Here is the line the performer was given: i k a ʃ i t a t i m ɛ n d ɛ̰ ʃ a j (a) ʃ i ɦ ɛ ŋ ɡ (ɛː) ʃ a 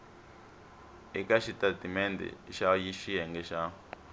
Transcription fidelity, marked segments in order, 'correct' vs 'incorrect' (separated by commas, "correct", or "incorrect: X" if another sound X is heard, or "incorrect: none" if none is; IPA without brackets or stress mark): incorrect: i, incorrect: ɛ